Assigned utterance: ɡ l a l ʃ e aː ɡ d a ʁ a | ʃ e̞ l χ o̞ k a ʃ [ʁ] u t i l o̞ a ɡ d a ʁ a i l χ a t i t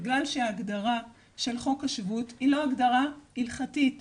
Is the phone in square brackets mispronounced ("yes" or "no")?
yes